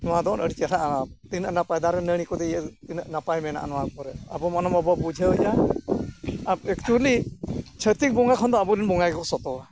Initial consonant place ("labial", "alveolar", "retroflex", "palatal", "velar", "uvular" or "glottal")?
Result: alveolar